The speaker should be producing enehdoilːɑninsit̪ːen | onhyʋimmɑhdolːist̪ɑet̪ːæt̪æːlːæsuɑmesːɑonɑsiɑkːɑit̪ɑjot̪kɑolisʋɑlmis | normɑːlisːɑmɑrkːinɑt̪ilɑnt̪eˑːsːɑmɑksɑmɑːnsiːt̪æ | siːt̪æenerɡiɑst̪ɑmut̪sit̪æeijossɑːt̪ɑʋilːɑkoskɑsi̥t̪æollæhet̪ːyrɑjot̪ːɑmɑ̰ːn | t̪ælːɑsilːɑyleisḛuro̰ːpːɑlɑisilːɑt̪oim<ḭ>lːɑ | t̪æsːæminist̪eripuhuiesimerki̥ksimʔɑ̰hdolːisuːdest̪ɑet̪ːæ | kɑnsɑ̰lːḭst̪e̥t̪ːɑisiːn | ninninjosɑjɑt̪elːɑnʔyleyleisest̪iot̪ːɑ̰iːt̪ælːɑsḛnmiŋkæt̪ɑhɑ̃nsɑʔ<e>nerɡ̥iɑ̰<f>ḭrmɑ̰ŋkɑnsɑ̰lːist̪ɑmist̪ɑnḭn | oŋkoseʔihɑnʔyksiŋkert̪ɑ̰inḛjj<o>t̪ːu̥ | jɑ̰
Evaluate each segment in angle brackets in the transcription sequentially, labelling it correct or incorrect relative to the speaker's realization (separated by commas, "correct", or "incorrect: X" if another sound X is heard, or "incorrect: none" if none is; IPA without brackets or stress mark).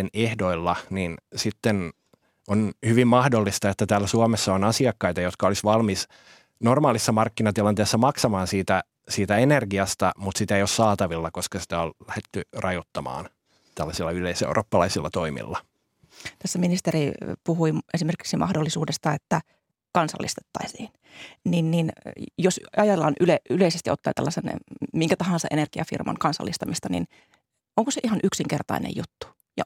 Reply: correct, correct, correct, incorrect: u